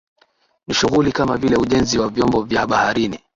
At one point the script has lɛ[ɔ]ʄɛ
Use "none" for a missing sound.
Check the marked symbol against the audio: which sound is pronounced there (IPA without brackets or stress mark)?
u